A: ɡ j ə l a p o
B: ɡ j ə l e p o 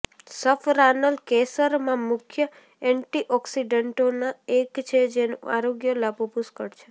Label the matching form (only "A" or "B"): A